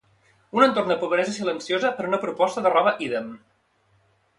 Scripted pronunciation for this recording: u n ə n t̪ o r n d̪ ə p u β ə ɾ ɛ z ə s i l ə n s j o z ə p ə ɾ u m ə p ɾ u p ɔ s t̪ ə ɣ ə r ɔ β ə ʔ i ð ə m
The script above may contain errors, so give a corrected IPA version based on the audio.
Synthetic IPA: u n ə n t̪ o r n d̪ ə p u β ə ɾ ɛ z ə s i l ə n s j o z ə p ə ɾ u n ə p ɾ u p ɔ s t̪ ə ð ə r ɔ β ə ʔ i ð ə m